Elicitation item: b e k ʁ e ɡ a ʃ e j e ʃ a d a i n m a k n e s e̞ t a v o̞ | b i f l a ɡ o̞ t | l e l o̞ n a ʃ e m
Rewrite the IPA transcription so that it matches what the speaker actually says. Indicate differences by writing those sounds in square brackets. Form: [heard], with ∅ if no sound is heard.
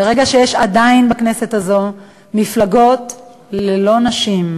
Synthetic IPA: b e [∅] ʁ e ɡ a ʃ e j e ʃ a d a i n [b] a k n e s e̞ t a [z] o̞ | [m] i f l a ɡ o̞ t | l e l o̞ n a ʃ [i] m